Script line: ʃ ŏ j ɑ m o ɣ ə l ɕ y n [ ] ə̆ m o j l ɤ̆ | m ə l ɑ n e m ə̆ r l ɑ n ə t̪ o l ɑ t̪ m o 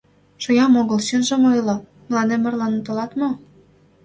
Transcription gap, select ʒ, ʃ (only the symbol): ʒ